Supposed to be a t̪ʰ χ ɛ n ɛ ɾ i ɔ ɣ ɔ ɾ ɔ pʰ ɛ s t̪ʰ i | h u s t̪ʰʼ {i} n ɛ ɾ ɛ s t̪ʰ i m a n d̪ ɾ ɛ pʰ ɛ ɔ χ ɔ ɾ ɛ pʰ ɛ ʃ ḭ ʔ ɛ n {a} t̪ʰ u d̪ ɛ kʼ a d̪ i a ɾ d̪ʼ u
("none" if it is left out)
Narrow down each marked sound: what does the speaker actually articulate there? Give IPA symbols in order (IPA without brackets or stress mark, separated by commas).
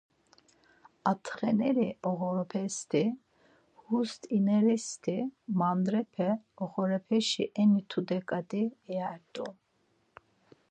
i, i